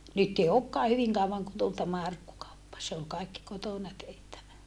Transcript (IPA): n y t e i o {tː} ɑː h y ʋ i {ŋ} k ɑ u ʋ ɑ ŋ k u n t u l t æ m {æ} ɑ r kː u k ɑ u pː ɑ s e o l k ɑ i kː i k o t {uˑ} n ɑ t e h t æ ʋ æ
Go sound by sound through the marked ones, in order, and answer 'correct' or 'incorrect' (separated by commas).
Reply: incorrect, correct, correct, incorrect